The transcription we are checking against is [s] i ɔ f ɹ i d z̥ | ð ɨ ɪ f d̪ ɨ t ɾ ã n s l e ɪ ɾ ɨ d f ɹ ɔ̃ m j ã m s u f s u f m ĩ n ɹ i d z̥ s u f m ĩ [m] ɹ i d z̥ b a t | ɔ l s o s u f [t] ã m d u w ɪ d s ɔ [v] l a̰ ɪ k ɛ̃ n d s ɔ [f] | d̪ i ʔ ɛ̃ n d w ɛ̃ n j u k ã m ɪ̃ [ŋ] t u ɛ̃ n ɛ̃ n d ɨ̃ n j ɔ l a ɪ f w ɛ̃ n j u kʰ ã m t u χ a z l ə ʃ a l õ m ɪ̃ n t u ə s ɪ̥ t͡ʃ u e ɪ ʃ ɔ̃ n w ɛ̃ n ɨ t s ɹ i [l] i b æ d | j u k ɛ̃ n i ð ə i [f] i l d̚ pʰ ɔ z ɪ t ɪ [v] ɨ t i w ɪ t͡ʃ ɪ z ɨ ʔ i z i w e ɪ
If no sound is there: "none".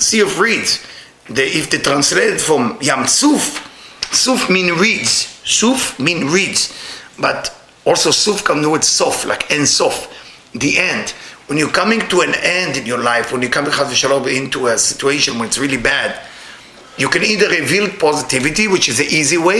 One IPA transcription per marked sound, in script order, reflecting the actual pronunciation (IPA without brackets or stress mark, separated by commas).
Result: s, n, k, f, f, ŋ, l, v, v